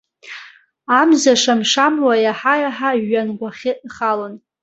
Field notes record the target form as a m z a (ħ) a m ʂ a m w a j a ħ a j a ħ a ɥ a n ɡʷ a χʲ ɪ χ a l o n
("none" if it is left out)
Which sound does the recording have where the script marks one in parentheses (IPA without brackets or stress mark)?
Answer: ʂ